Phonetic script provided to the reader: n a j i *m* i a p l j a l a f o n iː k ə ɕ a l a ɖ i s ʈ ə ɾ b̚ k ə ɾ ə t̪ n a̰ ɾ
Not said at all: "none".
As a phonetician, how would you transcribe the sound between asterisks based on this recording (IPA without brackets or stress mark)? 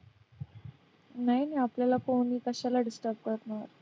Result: n